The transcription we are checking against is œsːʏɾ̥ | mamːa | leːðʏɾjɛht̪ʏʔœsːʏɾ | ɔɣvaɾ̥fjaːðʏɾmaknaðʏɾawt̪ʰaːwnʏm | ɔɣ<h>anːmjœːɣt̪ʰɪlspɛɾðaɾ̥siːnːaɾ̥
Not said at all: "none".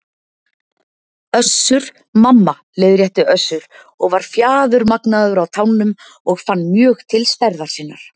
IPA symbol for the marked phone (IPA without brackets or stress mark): f